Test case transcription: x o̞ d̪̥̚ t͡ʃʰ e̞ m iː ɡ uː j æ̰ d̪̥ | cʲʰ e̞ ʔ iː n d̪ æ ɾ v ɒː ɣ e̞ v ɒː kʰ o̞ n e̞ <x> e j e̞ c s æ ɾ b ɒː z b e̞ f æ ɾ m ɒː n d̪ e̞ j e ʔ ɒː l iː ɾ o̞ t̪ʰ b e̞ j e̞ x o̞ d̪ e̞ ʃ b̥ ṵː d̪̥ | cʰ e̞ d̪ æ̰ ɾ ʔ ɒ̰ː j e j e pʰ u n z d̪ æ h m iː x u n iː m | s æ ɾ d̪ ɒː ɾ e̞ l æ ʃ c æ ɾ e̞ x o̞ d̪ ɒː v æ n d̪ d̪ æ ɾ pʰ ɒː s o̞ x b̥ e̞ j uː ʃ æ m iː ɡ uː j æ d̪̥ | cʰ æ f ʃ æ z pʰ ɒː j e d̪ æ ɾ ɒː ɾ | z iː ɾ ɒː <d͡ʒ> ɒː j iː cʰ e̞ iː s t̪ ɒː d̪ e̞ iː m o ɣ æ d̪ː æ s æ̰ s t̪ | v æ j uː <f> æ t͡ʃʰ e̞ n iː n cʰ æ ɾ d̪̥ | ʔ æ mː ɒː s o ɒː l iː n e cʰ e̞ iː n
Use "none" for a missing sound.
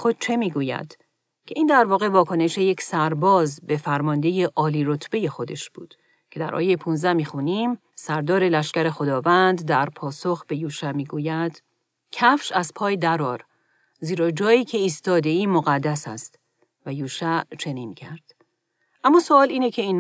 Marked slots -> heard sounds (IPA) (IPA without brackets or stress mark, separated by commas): ʃ, d͡ʒ, ʃ